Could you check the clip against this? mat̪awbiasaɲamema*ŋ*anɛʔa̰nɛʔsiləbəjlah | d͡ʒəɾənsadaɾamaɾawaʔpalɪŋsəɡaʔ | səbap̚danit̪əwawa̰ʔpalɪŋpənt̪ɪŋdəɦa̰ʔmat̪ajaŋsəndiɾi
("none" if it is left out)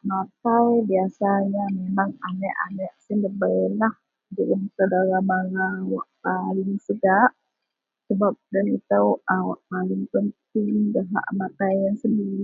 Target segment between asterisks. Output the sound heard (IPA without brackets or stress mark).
ŋ